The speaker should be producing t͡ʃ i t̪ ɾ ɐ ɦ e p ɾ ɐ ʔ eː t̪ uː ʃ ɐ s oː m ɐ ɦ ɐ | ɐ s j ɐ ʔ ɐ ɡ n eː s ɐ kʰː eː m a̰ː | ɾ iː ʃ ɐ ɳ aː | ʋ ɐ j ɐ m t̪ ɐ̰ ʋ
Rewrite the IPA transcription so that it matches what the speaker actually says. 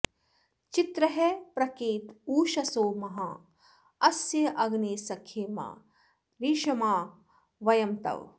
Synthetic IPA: t͡ʃ i t̪ ɾ ɐ ɦ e p ɾ ɐ k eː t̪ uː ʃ ɐ s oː m ɐ ɦ ɐ | ɐ s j ɐ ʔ ɐ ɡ n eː s ɐ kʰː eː m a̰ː | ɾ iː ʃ ɐ m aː | ʋ ɐ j ɐ m t̪ ɐ̰ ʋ